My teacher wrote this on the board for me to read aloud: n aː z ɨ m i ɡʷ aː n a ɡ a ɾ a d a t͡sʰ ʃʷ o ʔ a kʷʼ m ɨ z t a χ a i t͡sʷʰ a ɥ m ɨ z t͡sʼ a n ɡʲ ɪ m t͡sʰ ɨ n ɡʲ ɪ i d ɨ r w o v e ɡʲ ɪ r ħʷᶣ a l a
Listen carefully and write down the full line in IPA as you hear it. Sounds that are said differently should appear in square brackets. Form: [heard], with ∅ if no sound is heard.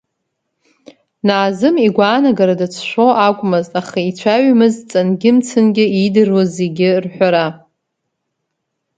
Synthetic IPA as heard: n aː z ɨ m i ɡʷ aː n a ɡ a ɾ a d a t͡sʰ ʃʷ o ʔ a kʷʼ m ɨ z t a χ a i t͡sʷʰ a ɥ m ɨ z t͡sʼ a n ɡʲ ɪ m t͡sʰ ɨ n ɡʲ ɪ i d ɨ r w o [z] e ɡʲ ɪ r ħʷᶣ a [ɾ] a

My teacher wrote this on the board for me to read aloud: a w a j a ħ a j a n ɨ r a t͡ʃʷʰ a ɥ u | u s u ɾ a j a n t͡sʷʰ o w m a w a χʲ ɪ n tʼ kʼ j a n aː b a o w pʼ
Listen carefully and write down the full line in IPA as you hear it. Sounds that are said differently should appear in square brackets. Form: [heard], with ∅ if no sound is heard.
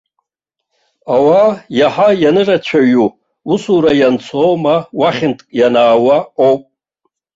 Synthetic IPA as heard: a w a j a ħ a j a n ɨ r a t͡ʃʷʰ a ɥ u | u s u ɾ a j a n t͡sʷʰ o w m a w a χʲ ɪ n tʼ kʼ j a n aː [w] a o w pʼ

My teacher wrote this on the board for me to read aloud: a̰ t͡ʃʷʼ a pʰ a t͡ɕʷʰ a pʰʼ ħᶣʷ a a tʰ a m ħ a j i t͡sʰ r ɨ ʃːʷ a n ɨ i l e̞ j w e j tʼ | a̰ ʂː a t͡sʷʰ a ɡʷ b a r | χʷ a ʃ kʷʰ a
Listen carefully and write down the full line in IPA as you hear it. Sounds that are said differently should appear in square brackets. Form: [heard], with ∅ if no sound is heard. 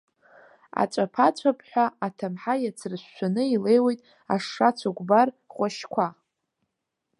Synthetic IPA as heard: a̰ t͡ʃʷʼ a pʰ a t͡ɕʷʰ a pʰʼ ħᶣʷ a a tʰ a m ħ a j [a] t͡sʰ r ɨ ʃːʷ a n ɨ i l e̞ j w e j tʼ | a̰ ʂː a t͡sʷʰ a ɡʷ b a r | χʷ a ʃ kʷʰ a

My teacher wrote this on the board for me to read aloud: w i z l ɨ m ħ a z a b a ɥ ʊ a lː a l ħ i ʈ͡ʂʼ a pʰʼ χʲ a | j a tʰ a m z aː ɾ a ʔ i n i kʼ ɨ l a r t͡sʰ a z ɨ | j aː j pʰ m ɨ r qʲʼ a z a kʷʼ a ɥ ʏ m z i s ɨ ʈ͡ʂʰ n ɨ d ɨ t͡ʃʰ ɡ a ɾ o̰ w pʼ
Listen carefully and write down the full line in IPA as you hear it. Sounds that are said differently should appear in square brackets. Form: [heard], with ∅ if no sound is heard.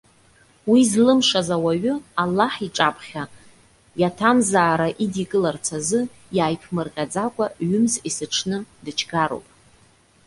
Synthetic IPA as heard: w i z l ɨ m [ʂ] a z a [w] a ɥ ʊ a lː a [∅] ħ i ʈ͡ʂʼ a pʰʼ χʲ a | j a tʰ a m z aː ɾ a ʔ i [d] i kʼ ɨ l a r t͡sʰ a z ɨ | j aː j pʰ m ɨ r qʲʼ a [d͡z] a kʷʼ a ɥ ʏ m z i s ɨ ʈ͡ʂʰ n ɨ d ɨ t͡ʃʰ ɡ a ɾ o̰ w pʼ

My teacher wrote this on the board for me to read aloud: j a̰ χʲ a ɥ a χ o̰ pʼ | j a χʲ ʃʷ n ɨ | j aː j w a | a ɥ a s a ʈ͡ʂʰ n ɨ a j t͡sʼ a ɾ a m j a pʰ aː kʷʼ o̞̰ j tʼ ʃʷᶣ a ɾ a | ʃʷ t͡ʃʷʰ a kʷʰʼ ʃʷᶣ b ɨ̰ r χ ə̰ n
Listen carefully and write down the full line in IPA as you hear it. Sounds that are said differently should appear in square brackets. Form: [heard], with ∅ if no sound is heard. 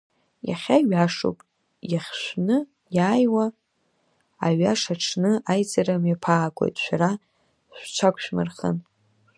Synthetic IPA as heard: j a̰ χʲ a ɥ a [ʂ] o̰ pʼ | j a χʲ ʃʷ n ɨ | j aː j w a | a ɥ a [ʂ] a ʈ͡ʂʰ n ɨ a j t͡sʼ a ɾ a m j a pʰ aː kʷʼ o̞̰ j tʼ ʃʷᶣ a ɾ a | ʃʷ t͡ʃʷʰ a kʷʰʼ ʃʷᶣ [m] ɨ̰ r χ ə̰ n

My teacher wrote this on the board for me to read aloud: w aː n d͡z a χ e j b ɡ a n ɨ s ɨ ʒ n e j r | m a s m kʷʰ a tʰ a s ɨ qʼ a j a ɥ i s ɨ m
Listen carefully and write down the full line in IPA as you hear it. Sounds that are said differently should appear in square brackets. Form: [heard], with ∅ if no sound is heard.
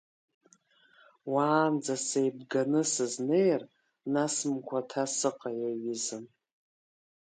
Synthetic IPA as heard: w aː n d͡z a [s] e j b ɡ a n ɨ s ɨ [z] n e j r | [n] a s m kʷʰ a tʰ a s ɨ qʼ a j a ɥ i [z] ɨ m

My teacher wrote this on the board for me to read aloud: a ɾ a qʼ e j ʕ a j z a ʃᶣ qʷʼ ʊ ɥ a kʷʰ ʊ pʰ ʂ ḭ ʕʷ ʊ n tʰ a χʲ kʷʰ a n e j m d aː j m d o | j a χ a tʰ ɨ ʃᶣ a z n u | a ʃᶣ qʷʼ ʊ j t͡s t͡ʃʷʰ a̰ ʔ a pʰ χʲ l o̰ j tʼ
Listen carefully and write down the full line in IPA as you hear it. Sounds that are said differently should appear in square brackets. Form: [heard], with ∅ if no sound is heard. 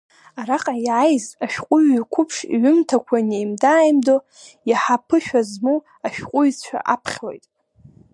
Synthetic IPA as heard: a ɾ a qʼ [a] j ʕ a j z a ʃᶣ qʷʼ ʊ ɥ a kʷʰ ʊ pʰ ʂ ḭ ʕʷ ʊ [m] tʰ a [∅] kʷʰ a n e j m d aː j m d o | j a [ħ] a [pʰ] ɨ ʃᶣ a z [m] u | a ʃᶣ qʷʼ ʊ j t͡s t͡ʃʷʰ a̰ ʔ a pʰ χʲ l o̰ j tʼ

